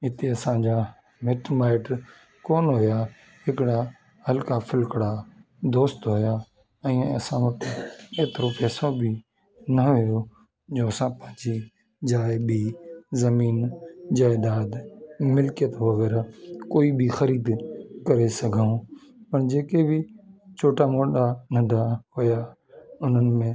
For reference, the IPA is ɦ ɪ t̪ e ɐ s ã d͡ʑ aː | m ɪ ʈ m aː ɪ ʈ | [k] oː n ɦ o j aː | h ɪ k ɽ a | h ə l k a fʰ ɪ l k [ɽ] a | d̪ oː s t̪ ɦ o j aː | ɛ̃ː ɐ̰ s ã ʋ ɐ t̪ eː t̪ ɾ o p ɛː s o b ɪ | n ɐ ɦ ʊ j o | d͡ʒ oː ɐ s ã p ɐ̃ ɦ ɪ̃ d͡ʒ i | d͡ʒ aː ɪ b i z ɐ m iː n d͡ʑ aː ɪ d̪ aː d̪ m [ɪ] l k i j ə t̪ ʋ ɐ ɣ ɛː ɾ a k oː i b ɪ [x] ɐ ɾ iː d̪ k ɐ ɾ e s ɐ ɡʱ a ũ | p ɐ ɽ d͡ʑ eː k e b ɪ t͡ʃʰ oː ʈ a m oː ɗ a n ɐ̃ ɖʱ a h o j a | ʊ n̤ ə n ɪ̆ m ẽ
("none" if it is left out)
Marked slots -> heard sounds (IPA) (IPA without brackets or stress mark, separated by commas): k, ɽ, ɪ, x